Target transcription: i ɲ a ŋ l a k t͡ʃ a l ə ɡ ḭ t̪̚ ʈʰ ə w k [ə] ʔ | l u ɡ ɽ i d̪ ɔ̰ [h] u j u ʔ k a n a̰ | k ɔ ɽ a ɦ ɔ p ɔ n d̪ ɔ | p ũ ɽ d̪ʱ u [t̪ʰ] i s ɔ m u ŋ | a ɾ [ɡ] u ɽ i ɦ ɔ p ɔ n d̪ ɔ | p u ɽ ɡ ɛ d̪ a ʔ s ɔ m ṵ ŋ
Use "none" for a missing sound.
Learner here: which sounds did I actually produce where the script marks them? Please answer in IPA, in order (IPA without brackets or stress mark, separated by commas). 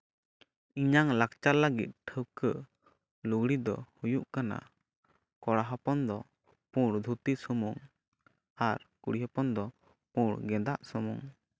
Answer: ə, h, t̪, k